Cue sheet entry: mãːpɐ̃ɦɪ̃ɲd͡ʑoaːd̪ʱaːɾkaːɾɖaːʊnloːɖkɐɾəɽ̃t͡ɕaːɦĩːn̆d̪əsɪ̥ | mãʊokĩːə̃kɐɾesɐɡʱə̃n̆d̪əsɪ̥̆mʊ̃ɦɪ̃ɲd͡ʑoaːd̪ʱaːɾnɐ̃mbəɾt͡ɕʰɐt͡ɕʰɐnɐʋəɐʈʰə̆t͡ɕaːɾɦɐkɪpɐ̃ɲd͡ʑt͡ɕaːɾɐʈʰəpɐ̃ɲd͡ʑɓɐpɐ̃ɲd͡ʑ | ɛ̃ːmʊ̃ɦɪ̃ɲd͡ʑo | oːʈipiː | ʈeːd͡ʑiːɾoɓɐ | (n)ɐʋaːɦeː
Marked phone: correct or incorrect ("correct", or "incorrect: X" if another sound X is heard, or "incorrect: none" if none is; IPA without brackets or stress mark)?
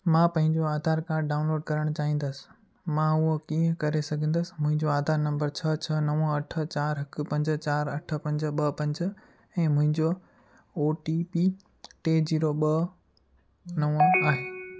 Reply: correct